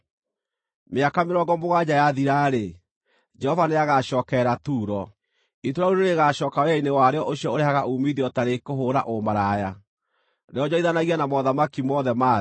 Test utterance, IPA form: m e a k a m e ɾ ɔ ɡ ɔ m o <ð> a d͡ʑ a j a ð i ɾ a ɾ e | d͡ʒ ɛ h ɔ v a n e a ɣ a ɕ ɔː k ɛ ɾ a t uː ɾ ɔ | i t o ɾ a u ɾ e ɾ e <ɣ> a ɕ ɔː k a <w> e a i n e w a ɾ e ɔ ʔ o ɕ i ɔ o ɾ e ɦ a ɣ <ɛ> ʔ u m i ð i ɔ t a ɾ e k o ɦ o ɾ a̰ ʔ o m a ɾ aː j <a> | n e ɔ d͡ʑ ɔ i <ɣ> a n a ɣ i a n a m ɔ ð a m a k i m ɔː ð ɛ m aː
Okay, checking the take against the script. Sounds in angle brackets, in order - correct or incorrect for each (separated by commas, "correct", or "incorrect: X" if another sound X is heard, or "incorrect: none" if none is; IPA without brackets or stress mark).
incorrect: ɣ, correct, correct, incorrect: a, correct, incorrect: ð